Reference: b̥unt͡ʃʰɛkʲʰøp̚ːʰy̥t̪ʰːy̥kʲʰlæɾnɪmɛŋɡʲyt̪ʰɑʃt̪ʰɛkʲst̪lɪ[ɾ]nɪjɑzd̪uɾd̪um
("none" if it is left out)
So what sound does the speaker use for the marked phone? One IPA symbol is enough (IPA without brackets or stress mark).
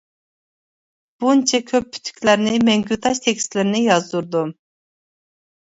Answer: ɾ